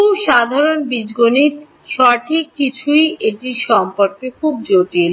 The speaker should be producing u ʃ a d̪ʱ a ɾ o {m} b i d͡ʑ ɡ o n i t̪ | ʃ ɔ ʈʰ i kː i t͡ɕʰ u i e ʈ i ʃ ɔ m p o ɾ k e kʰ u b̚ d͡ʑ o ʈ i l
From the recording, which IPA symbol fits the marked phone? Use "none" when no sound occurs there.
n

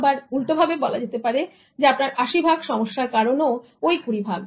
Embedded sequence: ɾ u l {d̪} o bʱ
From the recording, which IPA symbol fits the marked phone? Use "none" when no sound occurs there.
t̪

